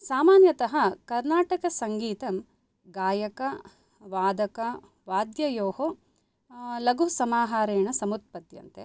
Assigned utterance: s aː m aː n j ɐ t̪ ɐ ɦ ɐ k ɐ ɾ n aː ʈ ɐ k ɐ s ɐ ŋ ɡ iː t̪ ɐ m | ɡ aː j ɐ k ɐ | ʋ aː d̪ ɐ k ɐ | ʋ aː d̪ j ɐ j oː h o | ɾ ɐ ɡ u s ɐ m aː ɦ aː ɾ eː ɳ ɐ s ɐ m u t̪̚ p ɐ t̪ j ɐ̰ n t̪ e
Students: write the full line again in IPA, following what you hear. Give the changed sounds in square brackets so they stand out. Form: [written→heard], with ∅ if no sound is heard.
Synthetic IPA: s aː m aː n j ɐ t̪ ɐ ɦ ɐ k ɐ ɾ n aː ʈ ɐ k ɐ s ɐ ŋ ɡ iː t̪ ɐ m | ɡ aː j ɐ k ɐ | ʋ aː d̪ ɐ k ɐ | ʋ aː d̪ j ɐ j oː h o | [ɾ→l] ɐ ɡ u s ɐ m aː ɦ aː ɾ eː ɳ ɐ s ɐ m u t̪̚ p ɐ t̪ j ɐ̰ n t̪ e